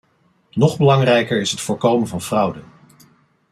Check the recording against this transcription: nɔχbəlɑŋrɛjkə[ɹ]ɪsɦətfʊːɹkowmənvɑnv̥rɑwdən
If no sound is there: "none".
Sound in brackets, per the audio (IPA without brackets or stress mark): ɹ